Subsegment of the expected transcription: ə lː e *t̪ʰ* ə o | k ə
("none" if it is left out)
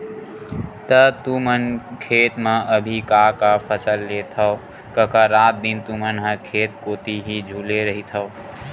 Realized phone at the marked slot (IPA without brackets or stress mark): t̪ʰ